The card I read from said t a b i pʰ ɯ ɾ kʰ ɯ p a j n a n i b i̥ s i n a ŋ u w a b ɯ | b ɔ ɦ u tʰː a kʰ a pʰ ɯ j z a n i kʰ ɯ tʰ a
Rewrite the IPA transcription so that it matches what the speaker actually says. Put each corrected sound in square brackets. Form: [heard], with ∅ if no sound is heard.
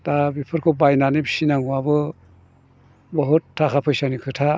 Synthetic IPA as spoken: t a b i pʰ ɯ ɾ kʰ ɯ [b] a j n a n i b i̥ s i n a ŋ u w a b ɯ | b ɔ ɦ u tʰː a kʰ a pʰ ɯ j [s] a n i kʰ ɯ tʰ a